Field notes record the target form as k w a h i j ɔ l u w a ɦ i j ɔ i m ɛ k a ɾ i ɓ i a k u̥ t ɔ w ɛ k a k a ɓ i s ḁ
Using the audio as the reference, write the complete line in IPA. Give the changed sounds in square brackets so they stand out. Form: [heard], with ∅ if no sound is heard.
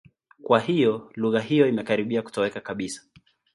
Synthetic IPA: k w a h i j ɔ l u [ɣ] a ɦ i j ɔ i m ɛ k a ɾ i ɓ i a k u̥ t ɔ w ɛ k a k a ɓ i s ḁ